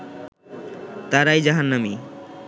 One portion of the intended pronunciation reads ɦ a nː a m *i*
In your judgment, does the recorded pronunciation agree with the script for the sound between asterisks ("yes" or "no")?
yes